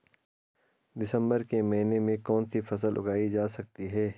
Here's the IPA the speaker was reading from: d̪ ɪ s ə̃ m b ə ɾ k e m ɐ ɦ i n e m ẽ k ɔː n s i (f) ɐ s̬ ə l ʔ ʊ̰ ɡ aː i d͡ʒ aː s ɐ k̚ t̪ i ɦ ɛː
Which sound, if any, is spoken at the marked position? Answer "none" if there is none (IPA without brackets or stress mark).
f